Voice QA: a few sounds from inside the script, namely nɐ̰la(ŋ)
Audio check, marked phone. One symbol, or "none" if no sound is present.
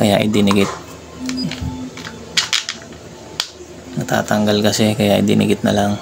ŋ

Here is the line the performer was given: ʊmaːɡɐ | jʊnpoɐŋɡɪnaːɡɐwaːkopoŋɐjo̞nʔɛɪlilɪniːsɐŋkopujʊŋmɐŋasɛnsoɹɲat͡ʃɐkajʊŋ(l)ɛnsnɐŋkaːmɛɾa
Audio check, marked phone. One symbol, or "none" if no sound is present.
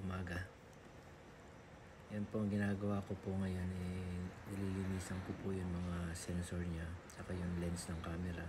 l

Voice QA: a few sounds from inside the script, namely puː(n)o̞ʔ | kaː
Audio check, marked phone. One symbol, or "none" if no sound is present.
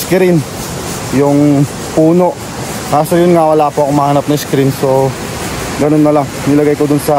n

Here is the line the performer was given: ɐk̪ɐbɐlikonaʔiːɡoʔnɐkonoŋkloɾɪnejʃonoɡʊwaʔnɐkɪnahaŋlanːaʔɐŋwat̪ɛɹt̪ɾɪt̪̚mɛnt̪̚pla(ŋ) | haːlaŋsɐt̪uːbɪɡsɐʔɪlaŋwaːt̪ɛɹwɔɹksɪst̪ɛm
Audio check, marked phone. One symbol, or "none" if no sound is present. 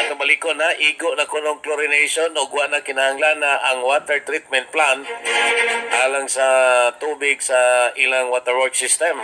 n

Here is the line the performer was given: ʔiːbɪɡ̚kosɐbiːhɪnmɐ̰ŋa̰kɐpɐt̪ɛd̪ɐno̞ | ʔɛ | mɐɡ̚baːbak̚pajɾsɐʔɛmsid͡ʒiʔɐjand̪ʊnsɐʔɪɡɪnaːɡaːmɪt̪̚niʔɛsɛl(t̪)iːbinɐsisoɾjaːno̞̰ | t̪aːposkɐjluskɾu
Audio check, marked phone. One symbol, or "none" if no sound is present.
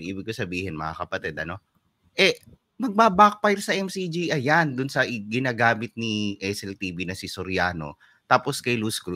t̪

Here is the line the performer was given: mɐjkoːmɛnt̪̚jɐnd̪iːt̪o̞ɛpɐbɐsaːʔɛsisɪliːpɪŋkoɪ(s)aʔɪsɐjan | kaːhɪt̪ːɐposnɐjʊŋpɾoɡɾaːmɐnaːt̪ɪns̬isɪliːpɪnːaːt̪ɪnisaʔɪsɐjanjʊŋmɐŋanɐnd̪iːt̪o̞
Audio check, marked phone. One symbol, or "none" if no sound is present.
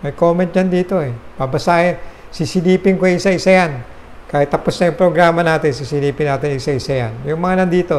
s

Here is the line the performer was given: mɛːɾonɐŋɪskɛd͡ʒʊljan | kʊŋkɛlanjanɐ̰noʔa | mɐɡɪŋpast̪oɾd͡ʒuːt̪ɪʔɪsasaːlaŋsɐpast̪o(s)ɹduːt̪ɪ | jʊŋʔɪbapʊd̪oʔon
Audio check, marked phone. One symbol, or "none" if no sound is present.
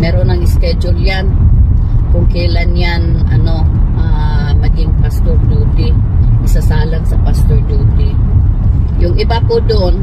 none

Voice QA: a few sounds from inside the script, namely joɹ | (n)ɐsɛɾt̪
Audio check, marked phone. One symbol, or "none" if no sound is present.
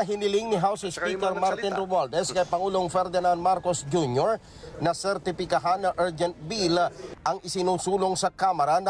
n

